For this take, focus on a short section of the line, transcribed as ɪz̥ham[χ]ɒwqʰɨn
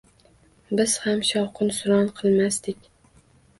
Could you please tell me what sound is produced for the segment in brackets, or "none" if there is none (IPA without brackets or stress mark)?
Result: ʃ